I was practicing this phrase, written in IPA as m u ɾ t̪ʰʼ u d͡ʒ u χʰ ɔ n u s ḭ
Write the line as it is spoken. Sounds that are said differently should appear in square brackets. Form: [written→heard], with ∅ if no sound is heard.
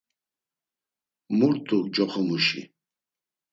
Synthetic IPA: m u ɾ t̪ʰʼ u d͡ʒ [u→ɔ] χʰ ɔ [n→m] u [s→ʃ] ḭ